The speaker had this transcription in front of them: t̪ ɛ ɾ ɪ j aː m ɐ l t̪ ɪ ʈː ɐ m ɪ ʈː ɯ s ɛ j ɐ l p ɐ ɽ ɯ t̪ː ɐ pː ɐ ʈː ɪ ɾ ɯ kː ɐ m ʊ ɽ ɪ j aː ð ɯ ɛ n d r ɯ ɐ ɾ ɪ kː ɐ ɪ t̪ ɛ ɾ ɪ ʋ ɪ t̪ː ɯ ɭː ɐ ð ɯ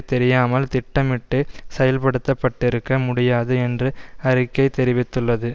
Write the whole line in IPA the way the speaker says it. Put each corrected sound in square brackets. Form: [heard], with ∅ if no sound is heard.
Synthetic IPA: t̪ ɛ ɾ ɪ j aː m ɐ l t̪ ɪ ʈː ɐ m ɪ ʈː ɯ s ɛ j ɐ l p ɐ ɽ ɯ t̪ː ɐ pː ɐ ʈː ɪ ɾ ɯ kː ɐ m ʊ ɽ ɪ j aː ð ɯ ɛ n d r ɯ ɐ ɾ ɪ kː ɐ ɪ t̪ ɛ ɾ ɪ ʋ ɪ t̪ː ɯ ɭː ɐ ð ɯ